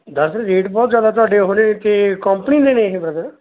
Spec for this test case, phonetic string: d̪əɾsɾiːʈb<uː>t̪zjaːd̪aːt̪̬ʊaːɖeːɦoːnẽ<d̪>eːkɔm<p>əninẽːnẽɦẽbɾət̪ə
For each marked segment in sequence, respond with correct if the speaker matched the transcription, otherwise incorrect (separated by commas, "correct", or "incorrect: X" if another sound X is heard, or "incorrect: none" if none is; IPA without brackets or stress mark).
incorrect: ɔː, incorrect: t̪, correct